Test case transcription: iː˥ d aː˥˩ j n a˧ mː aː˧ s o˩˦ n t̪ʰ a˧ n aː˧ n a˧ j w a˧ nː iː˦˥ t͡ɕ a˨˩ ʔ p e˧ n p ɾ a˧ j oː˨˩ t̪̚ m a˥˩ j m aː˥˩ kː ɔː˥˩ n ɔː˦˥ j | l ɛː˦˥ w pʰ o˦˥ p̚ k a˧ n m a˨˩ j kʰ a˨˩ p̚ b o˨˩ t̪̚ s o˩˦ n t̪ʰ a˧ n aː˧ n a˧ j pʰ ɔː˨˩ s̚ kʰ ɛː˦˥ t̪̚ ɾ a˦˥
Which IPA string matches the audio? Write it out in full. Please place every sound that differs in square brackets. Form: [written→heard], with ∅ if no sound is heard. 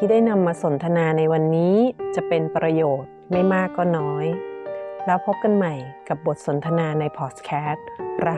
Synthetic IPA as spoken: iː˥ d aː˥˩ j n a˧ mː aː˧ s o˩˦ n t̪ʰ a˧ n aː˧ n a˧ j w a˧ nː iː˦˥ t͡ɕ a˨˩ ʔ p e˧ n p ɾ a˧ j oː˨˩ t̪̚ m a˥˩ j m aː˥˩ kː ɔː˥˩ n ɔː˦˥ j | l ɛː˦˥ w pʰ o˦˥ p̚ k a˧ n m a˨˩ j [kʰ→k] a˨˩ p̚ b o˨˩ t̪̚ s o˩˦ n t̪ʰ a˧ n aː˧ n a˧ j pʰ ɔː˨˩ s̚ kʰ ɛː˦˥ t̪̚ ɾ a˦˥